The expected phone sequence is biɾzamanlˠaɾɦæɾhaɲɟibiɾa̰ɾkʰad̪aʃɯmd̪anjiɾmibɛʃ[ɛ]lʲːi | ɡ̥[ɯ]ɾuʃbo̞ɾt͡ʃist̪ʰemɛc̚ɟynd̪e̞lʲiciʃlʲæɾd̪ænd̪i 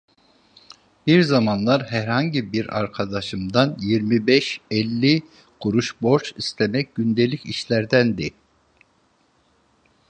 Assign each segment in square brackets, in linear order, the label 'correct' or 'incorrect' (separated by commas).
correct, incorrect